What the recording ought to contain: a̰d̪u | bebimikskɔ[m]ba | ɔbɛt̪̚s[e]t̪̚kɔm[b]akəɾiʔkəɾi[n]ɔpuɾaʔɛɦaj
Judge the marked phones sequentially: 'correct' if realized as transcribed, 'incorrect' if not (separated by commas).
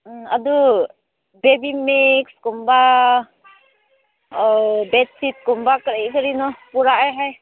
correct, incorrect, correct, correct